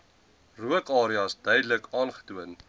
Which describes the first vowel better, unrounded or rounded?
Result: rounded